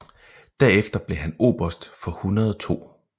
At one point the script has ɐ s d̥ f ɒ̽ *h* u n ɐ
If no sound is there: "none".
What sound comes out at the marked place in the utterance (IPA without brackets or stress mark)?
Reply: h